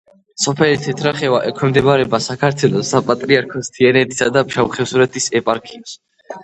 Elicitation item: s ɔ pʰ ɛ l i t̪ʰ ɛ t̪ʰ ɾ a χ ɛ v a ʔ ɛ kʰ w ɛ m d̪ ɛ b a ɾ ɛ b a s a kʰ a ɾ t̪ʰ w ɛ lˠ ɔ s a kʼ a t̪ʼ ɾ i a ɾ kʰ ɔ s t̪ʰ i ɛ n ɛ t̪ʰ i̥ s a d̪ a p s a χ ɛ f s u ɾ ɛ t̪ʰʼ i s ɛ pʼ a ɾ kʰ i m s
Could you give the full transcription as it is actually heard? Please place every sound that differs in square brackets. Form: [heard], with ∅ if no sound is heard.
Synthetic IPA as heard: s ɔ pʰ ɛ l i t̪ʰ ɛ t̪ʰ ɾ a χ ɛ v a ʔ ɛ kʰ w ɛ m d̪ ɛ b a ɾ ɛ b a s a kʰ a ɾ t̪ʰ w ɛ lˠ ɔ s a [pʼ] a t̪ʼ ɾ i a ɾ kʰ ɔ s t̪ʰ i ɛ n ɛ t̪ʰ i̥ s a d̪ a p [ʃ] a χ ɛ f s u ɾ ɛ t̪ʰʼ i s ɛ pʼ a ɾ kʰ i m s